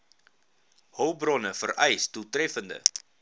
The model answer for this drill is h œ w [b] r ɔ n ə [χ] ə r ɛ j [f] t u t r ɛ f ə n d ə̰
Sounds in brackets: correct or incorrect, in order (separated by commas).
correct, incorrect, incorrect